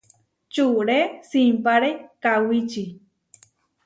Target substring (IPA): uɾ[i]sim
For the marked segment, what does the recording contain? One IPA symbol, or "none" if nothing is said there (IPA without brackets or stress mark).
e